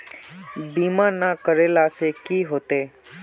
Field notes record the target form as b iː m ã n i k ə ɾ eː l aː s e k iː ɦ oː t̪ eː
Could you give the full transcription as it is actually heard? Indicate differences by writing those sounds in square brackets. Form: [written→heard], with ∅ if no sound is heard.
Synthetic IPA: b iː m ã n [i→a] k ə ɾ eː l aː s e k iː ɦ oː t̪ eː